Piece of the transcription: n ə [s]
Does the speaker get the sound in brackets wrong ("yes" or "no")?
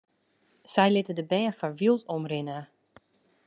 yes